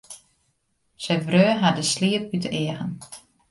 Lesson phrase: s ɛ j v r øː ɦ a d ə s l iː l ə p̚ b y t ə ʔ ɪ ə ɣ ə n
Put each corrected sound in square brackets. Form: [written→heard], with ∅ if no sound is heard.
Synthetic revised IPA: s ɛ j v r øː ɦ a d ə s l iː [l→∅] ə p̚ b y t ə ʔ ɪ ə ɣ ə n